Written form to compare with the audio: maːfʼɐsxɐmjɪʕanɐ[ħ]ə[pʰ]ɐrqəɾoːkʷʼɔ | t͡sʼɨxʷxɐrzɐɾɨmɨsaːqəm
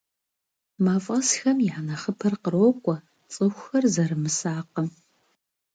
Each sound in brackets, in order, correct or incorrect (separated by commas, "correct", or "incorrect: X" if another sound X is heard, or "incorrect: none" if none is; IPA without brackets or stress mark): incorrect: χ, correct